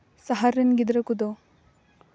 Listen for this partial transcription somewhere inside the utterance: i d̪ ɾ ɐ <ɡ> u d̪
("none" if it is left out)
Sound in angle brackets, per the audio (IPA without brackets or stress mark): k